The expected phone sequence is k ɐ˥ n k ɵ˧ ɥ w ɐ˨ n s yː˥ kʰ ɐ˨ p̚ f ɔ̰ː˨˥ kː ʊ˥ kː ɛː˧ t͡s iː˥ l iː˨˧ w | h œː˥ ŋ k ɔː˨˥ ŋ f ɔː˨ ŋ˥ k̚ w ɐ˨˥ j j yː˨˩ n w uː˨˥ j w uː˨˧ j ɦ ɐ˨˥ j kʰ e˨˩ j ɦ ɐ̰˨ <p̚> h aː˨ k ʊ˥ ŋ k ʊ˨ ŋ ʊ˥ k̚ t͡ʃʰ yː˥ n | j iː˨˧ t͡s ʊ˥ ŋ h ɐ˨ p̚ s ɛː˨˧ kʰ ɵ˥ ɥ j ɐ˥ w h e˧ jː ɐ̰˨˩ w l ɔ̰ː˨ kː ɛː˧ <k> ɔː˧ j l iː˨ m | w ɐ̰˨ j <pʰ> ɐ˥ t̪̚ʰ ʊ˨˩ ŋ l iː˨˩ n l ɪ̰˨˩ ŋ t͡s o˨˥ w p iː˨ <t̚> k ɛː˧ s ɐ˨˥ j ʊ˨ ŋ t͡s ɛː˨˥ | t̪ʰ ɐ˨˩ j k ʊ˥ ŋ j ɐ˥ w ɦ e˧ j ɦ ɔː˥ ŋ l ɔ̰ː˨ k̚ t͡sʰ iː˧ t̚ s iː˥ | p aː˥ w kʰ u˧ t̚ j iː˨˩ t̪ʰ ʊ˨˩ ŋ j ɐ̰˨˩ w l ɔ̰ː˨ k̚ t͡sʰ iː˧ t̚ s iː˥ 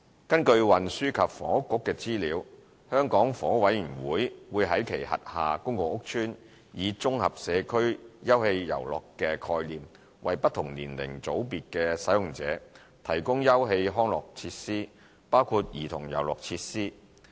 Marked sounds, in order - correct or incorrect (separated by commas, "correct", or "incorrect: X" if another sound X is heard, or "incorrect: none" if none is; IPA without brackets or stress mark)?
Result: incorrect: t̚, incorrect: kʰ, incorrect: p, correct